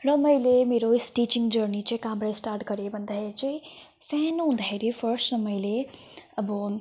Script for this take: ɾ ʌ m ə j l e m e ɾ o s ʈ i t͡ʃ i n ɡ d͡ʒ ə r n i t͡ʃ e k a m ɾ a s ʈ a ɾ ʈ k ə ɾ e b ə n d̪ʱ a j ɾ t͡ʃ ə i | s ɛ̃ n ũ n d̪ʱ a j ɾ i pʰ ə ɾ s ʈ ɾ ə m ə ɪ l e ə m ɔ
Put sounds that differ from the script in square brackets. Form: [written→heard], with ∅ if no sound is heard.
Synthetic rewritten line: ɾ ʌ m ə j l e m e ɾ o s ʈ i t͡ʃ i [n→ŋ] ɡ d͡ʒ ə [r→ɾ] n i t͡ʃ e k a m ɾ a s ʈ a ɾ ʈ k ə ɾ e b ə n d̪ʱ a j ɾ t͡ʃ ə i | s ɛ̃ n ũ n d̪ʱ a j ɾ i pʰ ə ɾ s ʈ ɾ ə m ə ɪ l e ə [m→b] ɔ